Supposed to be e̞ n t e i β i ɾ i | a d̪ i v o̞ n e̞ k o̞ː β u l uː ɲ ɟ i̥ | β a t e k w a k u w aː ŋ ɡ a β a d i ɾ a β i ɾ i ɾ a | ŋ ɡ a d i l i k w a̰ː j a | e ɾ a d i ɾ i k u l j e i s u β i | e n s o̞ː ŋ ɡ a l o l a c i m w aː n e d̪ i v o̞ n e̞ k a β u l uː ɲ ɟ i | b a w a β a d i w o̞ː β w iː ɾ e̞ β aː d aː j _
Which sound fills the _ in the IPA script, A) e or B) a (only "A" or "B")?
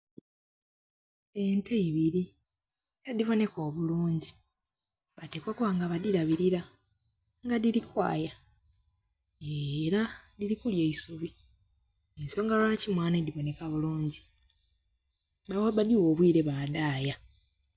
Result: B